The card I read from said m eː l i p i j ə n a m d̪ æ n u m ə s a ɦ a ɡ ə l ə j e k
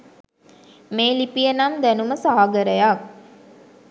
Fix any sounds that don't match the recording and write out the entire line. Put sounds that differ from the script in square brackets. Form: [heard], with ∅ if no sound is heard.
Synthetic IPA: m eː l i p i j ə n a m d̪ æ n u m ə s a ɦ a ɡ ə [ɾ] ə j [a] k